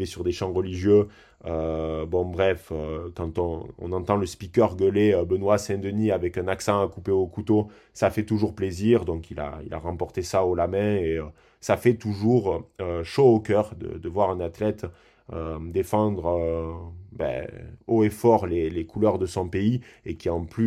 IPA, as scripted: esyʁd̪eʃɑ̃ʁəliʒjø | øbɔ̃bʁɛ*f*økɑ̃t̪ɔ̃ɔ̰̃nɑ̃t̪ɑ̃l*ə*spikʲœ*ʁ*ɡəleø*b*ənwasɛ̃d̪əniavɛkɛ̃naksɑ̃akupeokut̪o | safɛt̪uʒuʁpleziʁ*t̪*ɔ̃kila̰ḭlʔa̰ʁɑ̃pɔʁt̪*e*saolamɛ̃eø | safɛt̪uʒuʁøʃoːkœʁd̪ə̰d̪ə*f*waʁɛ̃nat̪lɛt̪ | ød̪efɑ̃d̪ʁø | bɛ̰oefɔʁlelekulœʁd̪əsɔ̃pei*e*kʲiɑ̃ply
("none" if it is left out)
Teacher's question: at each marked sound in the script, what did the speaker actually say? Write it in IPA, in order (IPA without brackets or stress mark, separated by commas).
f, ə, ʁ, b, d̪, e, v, e